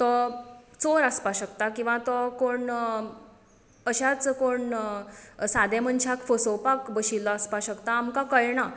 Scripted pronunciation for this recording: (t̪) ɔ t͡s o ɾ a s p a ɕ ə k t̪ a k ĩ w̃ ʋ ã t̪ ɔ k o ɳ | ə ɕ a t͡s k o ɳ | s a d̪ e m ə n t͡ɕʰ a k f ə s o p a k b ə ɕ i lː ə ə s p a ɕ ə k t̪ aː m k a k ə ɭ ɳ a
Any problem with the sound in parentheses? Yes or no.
no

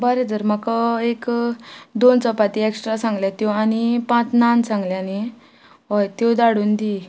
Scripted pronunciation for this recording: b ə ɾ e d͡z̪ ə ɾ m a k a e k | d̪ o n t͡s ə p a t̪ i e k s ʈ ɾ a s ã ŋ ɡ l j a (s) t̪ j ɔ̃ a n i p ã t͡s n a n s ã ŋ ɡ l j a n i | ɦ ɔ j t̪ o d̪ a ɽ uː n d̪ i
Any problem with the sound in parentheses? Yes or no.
yes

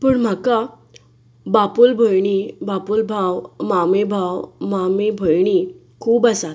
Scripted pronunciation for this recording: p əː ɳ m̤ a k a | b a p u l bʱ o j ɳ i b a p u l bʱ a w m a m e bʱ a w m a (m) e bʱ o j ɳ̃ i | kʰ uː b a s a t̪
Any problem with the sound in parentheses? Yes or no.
no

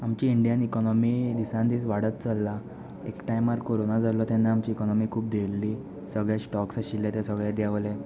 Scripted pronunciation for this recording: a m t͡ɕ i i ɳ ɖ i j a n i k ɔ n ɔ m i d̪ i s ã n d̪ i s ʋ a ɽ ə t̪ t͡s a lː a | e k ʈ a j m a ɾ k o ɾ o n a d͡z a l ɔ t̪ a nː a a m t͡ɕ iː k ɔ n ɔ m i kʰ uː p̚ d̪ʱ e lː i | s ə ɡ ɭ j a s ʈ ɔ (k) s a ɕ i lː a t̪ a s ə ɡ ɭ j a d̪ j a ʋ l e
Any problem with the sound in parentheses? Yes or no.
no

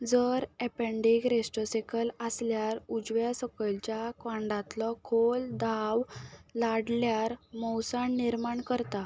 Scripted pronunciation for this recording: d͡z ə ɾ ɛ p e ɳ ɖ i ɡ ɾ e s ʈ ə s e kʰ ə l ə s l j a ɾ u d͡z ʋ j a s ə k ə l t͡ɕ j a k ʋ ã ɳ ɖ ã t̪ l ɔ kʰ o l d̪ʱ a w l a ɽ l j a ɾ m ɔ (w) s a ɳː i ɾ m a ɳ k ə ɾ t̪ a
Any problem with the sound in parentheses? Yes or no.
no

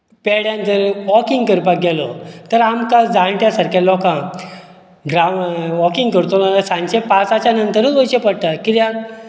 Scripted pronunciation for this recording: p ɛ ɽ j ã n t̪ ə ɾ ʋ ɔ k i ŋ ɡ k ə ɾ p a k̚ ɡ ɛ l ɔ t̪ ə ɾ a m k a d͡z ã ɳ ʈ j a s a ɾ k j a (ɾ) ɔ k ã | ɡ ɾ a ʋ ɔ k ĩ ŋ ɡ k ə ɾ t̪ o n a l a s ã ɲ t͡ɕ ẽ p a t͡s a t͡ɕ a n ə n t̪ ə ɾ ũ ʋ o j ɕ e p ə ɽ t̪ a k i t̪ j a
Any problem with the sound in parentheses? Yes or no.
yes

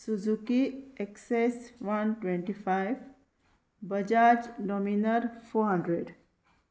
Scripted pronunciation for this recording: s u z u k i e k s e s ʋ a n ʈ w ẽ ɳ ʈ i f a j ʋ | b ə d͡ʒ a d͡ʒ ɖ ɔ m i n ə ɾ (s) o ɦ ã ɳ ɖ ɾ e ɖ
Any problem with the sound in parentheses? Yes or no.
yes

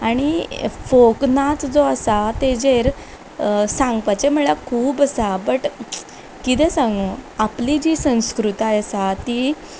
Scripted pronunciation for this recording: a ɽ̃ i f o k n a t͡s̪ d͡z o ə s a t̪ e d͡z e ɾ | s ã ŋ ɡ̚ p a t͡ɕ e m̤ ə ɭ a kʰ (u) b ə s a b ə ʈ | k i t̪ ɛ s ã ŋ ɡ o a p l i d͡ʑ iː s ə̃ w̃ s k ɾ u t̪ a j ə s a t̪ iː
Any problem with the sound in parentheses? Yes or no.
yes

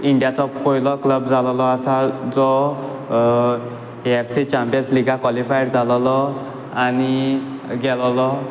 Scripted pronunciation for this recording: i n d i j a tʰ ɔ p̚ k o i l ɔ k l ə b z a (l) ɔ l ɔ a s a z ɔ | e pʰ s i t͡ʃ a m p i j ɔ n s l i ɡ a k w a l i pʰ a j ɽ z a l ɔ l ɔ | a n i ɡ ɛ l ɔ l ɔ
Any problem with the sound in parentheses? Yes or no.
no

